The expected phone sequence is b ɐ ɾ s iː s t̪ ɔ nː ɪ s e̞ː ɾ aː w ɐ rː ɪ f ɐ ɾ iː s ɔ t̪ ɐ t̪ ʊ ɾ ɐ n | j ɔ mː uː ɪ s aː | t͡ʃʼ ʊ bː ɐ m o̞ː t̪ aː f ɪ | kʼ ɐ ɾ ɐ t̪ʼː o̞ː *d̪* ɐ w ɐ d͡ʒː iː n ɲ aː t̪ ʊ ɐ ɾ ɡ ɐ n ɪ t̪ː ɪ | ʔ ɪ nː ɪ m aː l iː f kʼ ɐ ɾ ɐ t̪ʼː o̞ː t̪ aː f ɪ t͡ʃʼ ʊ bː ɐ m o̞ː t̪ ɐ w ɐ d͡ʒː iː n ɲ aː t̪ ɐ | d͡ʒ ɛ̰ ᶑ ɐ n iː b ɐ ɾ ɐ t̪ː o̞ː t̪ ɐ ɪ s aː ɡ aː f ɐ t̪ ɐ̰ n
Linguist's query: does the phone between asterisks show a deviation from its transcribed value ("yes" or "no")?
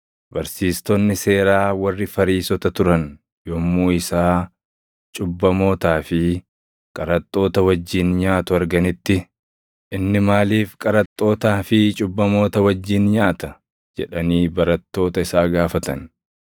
yes